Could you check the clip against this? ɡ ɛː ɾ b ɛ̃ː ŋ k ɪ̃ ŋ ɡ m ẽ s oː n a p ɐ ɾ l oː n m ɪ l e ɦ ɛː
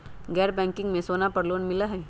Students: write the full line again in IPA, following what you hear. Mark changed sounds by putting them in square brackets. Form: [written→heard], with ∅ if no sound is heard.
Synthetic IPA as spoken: ɡ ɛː ɾ b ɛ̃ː ŋ k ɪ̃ ŋ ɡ m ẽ s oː n a p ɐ ɾ l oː n m ɪ l [e→a] ɦ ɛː